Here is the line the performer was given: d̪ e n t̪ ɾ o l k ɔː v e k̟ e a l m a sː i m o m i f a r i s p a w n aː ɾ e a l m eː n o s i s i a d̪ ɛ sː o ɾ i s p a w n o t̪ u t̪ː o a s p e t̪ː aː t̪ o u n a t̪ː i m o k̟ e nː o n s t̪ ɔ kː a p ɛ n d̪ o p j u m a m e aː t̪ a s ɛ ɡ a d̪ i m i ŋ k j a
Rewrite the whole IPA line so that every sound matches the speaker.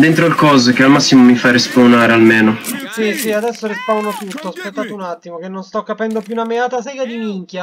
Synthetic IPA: d̪ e n t̪ ɾ o l k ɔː z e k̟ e a l m a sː i m o m i f a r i s p a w n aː ɾ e a l m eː n o s i s i a d̪ ɛ sː o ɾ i s p a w n o t̪ u t̪ː o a s p e t̪ː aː t̪ o u n a t̪ː i m o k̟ e nː o n s t̪ ɔ kː a p ɛ n d̪ o p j u n a m e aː t̪ a s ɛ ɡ a d̪ i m i ŋ k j a